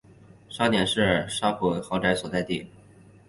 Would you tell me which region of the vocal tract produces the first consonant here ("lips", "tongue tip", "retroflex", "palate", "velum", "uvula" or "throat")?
retroflex